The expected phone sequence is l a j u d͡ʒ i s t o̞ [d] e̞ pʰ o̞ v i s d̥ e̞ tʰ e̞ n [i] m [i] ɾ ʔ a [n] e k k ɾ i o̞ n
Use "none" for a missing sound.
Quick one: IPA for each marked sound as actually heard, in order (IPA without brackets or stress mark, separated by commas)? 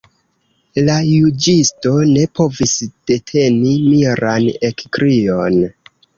n, i, i, n